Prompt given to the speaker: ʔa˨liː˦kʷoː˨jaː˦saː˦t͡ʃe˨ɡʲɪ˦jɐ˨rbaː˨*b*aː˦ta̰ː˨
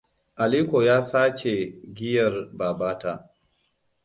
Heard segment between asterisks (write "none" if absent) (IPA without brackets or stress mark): b